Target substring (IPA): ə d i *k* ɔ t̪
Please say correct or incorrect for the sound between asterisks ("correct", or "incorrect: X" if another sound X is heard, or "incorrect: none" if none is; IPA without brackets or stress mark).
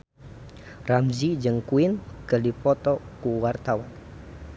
incorrect: p